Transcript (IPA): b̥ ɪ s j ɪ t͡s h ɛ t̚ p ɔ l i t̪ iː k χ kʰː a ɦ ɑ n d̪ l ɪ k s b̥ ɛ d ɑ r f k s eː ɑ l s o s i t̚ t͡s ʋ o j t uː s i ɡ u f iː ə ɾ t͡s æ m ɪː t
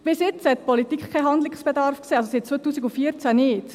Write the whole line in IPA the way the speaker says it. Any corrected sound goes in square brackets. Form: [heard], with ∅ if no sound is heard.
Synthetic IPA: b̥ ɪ s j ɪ t͡s h ɛ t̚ p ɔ l i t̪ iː k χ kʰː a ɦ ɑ n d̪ l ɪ k s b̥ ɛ d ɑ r f k s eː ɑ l s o s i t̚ t͡s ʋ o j t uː s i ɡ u f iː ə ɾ t͡s æ [n] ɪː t